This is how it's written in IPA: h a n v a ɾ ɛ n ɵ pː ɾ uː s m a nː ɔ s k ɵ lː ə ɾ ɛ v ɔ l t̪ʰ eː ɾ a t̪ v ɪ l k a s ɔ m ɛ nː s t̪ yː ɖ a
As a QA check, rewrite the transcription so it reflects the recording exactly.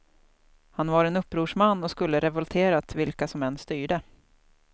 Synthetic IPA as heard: h a n v a ɾ ɛ n ɵ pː ɾ uː ʂ m a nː ɔ s k ɵ lː ə ɾ ɛ v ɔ l t̪ʰ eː ɾ a t̪ v ɪ l k a s ɔ m ɛ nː s t̪ yː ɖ ə